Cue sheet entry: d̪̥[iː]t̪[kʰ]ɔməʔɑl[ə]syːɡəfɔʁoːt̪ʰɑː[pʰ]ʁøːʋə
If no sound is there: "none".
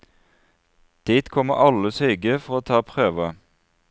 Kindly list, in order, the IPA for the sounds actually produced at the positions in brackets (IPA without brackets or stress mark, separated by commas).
iː, kʰ, ə, pʰ